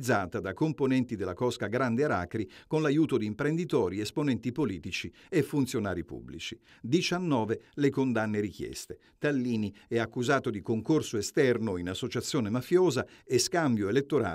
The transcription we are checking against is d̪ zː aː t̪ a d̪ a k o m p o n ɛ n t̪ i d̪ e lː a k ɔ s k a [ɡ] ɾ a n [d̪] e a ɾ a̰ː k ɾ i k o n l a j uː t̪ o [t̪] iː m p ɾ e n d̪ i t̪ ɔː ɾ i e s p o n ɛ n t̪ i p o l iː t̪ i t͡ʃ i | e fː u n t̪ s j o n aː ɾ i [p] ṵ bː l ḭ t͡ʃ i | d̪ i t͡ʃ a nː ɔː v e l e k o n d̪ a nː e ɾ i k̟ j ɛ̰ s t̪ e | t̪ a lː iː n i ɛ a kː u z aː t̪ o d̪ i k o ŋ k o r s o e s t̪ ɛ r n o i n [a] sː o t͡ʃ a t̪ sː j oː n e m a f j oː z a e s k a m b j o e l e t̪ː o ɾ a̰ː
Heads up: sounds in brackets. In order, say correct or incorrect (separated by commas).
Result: correct, correct, incorrect, correct, correct